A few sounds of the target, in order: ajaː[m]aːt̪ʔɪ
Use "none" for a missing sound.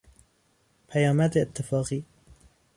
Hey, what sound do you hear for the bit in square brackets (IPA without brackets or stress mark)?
m